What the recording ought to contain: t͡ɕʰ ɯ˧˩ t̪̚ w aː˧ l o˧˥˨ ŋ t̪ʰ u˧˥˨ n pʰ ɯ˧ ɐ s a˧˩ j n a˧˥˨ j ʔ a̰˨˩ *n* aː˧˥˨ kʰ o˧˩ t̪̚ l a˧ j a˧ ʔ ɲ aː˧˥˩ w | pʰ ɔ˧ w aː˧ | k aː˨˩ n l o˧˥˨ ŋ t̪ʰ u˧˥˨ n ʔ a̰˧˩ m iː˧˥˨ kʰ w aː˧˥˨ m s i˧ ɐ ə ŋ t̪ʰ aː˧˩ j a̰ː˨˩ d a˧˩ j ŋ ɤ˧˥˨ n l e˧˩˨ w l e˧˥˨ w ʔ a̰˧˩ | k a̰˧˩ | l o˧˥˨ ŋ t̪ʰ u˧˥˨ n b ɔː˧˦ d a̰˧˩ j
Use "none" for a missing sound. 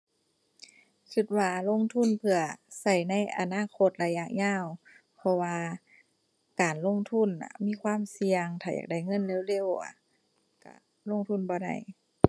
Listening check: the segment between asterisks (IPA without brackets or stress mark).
n